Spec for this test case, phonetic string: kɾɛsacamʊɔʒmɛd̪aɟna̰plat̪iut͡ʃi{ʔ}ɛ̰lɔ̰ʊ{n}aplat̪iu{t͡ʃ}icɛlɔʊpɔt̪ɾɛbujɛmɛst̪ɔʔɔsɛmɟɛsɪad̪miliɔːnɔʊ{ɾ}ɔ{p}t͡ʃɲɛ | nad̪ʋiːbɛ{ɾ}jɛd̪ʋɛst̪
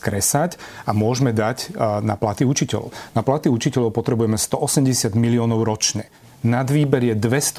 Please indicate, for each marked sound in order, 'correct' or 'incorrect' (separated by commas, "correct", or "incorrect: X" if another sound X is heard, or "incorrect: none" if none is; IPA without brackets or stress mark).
incorrect: c, correct, correct, correct, incorrect: none, correct